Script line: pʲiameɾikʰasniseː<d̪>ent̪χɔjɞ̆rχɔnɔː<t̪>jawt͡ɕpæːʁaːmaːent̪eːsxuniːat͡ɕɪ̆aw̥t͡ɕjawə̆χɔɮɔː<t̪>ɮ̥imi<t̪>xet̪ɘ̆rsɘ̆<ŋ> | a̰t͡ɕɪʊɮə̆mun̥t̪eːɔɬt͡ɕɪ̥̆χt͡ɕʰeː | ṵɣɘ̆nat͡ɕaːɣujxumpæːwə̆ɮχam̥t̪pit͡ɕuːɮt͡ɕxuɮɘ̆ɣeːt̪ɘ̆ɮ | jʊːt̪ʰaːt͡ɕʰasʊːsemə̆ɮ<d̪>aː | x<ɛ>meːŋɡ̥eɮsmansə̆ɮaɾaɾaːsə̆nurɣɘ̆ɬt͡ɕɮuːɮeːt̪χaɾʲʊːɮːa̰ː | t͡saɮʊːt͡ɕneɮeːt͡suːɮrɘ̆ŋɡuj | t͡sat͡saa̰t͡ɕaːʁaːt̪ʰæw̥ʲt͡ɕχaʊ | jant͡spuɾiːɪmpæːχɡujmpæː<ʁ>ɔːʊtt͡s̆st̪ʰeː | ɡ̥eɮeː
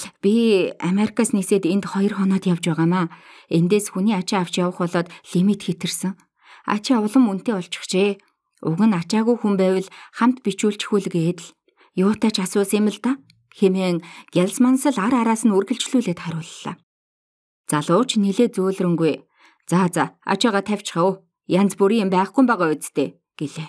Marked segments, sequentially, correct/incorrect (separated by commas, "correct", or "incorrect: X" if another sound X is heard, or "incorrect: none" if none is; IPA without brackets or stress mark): incorrect: t̪, correct, correct, correct, correct, incorrect: t̪, incorrect: e, correct